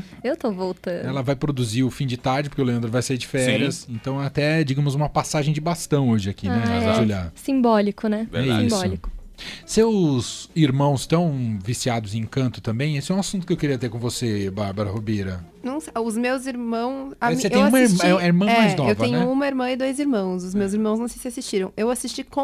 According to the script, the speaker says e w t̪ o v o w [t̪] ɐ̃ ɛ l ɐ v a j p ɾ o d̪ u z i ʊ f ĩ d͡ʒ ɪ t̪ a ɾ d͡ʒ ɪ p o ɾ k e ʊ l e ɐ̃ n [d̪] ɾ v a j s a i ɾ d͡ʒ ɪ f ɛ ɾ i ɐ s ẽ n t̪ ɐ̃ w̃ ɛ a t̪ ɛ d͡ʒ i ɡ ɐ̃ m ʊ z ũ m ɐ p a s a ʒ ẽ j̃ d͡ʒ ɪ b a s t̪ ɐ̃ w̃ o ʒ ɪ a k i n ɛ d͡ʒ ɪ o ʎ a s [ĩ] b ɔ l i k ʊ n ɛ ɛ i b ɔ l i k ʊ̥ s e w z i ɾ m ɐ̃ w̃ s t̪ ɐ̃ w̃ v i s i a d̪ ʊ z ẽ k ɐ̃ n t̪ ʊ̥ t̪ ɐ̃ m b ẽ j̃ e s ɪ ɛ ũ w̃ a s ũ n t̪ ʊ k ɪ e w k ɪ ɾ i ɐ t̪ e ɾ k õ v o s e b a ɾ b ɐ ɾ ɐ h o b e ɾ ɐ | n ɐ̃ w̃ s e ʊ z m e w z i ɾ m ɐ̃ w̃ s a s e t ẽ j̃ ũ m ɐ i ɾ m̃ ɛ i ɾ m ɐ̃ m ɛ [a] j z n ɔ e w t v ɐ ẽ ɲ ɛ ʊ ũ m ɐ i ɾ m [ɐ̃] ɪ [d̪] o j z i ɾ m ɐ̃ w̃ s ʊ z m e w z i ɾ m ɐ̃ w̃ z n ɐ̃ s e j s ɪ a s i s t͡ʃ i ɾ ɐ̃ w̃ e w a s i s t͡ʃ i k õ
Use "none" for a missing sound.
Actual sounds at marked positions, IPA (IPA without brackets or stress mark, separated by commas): t̪, d̪, ĩ, a, ɐ̃, d̪